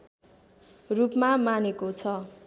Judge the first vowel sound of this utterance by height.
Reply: high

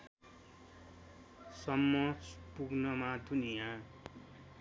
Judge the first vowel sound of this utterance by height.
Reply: mid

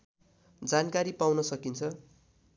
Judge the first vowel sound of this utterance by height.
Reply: low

